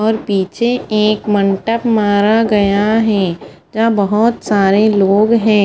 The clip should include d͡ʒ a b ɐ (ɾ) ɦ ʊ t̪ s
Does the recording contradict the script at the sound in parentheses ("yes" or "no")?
yes